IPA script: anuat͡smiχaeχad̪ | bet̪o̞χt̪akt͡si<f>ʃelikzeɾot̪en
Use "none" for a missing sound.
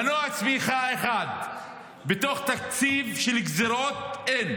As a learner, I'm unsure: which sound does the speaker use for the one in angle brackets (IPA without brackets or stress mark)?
v